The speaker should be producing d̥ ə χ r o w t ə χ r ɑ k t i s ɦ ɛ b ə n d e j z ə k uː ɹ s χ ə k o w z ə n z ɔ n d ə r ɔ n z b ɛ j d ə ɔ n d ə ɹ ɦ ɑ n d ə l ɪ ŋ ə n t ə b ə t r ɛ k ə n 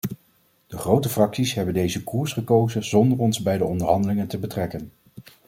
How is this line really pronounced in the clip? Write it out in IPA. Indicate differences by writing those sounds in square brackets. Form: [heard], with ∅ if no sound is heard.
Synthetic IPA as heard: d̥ ə χ r o w t ə [f] r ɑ k [s] i s ɦ ɛ b ə n d e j z ə k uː ɹ s χ ə k o w z ə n z ɔ n d ə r ɔ n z b ɛ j d ə ɔ n d ə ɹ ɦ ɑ n d ə l ɪ ŋ ə n t ə b ə t r ɛ k ə n

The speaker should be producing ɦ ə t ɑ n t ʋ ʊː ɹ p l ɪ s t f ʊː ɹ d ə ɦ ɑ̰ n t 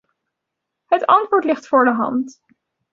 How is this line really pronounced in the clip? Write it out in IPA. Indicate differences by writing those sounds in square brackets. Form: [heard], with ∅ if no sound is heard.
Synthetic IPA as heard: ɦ ə t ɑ n t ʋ ʊː ɹ [t] l ɪ [χ] t f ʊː ɹ d ə ɦ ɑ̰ n t

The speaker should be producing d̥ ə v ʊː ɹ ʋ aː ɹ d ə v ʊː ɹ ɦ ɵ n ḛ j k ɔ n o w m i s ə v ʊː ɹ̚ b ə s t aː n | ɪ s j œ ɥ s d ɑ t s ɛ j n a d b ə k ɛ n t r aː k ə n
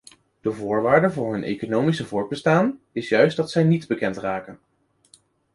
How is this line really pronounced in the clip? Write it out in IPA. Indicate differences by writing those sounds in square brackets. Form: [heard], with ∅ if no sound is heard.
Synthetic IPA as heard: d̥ ə v ʊː ɹ ʋ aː ɹ d ə v ʊː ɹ ɦ ɵ n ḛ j k [o] n o w m i s ə v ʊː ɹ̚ b ə s t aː n | ɪ s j œ ɥ s d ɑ t s ɛ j n [i] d b ə k ɛ n t r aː k ə n

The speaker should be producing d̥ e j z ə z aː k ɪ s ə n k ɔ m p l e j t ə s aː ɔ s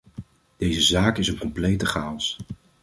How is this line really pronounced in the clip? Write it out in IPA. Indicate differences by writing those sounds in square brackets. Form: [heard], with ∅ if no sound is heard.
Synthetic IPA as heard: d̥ e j z ə z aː k ɪ s ə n k ɔ m p l e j t ə [χ] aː ɔ s

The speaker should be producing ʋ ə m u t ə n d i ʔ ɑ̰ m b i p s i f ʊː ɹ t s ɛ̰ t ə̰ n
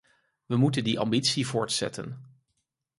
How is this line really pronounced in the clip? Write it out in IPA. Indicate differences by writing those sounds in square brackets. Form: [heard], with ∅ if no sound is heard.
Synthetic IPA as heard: ʋ ə m u t ə n d i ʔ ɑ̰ m b i [t] s i [v] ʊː ɹ t s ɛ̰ t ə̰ n

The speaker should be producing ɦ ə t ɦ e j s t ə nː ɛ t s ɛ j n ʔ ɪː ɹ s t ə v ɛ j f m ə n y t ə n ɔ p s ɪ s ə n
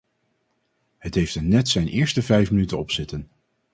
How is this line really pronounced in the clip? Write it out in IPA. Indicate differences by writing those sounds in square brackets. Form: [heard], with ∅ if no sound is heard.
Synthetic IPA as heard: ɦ ə t ɦ e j [f] t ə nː ɛ t s ɛ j n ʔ ɪː ɹ s t ə v ɛ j f m ə n y t ə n ɔ p s ɪ [t] ə n

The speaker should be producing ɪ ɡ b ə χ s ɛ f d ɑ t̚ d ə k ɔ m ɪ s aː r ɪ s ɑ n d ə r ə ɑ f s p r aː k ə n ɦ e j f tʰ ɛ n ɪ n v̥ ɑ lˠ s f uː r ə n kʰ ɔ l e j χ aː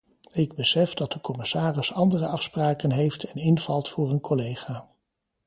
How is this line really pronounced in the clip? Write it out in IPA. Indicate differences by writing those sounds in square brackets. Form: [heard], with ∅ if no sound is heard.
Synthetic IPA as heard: ɪ ɡ b ə [∅] s ɛ f d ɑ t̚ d ə k ɔ m ɪ s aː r ɪ s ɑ n d ə r ə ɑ f s p r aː k ə n ɦ e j f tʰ ɛ n ɪ n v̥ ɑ lˠ [t] f [ʊː] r ə n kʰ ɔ l e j χ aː

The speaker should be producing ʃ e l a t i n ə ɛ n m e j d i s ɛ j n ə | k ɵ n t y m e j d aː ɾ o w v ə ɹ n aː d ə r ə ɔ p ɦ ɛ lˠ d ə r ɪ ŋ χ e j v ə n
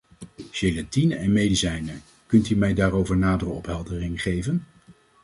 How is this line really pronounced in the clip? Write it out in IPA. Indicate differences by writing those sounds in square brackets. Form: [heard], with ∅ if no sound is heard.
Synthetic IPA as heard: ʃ e l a t i n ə ɛ n m e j d i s ɛ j n ə | k ɵ n t y m [ɛ] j d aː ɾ o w v ə ɹ n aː d ə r ə ɔ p ɦ ɛ lˠ d ə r ɪ ŋ χ e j v ə n

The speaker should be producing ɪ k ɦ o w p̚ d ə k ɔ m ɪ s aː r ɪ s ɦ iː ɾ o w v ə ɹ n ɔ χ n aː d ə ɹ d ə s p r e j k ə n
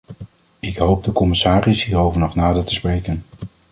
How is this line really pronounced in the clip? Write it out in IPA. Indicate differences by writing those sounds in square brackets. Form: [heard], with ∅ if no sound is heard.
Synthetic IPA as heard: ɪ k ɦ o w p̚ d ə k ɔ m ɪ s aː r ɪ s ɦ iː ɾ o w v ə ɹ n ɔ χ n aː d ə ɹ [t] ə s p r e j k ə n

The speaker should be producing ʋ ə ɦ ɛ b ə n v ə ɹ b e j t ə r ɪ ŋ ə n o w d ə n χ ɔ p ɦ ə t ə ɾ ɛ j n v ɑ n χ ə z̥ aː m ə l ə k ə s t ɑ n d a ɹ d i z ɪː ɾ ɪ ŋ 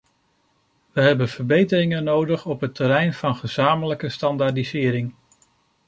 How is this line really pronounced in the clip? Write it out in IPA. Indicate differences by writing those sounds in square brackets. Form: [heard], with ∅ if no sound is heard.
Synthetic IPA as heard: ʋ ə ɦ ɛ b ə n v ə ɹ b e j t ə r ɪ ŋ ə n o w d ə [∅] χ ɔ p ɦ ə t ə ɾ ɛ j n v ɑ n χ ə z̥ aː m ə l ə k ə s t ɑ n d a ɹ d i z ɪː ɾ ɪ ŋ

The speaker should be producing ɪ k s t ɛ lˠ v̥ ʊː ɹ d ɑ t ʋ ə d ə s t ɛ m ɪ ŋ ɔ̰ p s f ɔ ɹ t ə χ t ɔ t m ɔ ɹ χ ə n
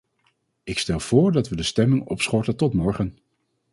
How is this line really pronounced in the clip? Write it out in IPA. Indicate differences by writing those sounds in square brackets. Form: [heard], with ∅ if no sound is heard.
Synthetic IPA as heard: ɪ k s t ɛ lˠ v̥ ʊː ɹ d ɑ t ʋ ə d ə s t ɛ m ɪ ŋ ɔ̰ p s [χ] ɔ ɹ t ə [∅] t ɔ t m ɔ ɹ χ ə n

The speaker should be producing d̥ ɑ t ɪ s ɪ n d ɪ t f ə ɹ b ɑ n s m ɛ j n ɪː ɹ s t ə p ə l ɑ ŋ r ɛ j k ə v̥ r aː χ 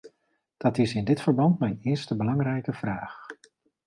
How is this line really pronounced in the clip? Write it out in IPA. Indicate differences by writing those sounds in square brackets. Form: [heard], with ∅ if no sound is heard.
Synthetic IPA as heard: d̥ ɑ t ɪ s ɪ n d ɪ t f ə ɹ b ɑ n [t] m ɛ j n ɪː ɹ s t ə [b] ə l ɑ ŋ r ɛ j k ə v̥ r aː χ

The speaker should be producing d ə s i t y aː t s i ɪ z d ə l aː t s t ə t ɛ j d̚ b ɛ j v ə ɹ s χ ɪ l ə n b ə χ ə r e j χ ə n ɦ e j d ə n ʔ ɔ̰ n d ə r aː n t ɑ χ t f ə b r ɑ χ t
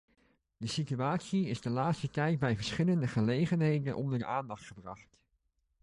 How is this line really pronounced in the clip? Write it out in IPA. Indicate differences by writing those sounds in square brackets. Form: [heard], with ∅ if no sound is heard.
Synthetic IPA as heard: d ə s i t y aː t s i ɪ z d ə l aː t s t ə t ɛ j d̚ b ɛ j v ə ɹ s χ ɪ l ə n [d] ə χ ə [l] e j χ ə n ɦ e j d ə n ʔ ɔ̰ n d ə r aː n [d] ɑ χ t [χ] ə b r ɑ χ t

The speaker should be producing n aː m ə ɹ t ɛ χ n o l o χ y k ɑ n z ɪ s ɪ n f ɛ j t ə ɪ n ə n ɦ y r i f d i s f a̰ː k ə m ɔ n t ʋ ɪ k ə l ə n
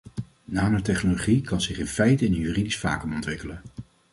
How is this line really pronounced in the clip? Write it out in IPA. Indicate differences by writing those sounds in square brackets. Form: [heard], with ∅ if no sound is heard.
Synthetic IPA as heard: n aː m ə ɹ t ɛ χ n o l o χ [i] k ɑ n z ɪ [χ] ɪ n f ɛ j t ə ɪ n ə n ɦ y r i [∅] d i s f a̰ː k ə m ɔ n t ʋ ɪ k ə l ə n

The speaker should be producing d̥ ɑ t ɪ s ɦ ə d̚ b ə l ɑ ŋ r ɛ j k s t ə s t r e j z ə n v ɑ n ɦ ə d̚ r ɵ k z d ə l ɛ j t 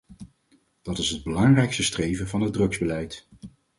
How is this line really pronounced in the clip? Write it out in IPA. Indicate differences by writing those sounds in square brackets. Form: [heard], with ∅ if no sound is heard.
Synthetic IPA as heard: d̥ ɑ t ɪ s ɦ ə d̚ b ə l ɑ ŋ r ɛ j k s t ə s t r e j [v] ə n v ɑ n ɦ ə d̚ r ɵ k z [b] ə l ɛ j t

